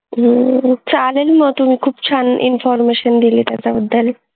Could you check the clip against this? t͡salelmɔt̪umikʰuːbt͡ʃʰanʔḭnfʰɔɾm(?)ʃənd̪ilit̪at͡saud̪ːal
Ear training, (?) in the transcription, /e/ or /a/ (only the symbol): e